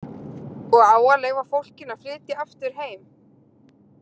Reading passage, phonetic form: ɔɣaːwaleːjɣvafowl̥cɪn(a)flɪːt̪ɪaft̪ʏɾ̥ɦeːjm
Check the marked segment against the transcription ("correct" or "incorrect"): correct